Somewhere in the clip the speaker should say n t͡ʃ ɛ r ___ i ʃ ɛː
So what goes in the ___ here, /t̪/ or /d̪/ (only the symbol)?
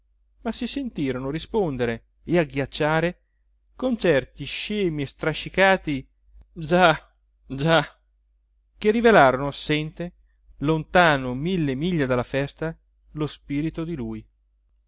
t̪